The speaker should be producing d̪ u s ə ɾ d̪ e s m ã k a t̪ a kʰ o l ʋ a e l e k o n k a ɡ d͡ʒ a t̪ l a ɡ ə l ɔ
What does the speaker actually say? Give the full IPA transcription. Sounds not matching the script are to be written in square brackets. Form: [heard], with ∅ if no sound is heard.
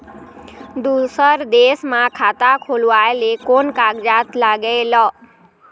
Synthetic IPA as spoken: d̪ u s ə ɾ d̪ e s m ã [kʰ] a t̪ a kʰ o l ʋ a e l e k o n k a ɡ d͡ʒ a t̪ l a ɡ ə l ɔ